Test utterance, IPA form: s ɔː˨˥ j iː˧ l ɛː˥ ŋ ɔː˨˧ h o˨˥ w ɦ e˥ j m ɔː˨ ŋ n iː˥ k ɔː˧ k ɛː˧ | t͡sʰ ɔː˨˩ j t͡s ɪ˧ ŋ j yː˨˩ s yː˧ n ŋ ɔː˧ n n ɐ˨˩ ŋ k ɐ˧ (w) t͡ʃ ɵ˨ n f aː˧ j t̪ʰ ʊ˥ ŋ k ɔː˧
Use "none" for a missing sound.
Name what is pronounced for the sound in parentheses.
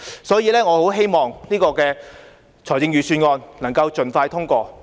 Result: w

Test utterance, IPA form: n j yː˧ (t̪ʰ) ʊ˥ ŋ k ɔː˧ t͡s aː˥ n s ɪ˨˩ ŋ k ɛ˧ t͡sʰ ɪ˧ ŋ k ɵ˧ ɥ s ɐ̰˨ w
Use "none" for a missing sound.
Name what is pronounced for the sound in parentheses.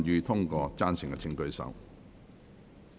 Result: t̪ʰ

